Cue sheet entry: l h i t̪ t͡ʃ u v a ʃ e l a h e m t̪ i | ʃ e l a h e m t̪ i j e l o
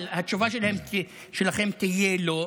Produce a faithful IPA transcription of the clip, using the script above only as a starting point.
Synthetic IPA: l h a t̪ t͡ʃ u v a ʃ e l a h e m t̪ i | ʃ e l a χ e m t̪ i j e l o